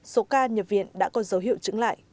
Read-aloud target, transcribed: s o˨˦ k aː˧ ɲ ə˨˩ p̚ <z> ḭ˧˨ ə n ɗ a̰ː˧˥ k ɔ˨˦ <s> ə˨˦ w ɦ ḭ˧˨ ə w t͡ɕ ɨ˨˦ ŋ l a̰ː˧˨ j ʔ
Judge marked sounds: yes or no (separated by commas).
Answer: no, no